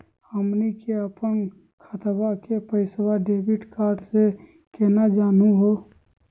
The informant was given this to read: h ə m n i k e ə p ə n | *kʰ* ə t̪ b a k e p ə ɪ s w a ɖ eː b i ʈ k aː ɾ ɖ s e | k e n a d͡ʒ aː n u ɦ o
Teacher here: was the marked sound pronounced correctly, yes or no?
yes